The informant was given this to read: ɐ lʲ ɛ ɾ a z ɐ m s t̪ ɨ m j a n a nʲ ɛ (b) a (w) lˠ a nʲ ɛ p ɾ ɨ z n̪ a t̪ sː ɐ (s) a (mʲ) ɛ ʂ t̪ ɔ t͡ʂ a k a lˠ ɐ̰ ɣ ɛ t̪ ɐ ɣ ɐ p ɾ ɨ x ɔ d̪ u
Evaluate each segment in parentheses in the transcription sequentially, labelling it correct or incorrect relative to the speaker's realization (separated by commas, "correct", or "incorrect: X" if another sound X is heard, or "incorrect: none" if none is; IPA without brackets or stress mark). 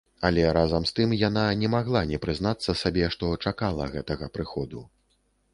incorrect: m, incorrect: ɣ, correct, incorrect: bʲ